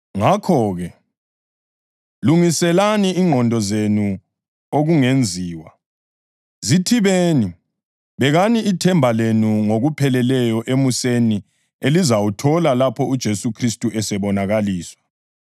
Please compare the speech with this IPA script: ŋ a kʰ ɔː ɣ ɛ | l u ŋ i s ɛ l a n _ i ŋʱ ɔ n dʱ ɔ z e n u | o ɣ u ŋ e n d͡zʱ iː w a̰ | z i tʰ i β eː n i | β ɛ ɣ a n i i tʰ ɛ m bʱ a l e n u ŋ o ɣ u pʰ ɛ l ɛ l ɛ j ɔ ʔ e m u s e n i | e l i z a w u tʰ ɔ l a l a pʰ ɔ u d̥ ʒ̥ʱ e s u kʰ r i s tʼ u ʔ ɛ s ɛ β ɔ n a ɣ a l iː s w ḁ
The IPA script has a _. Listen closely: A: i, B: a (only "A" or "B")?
A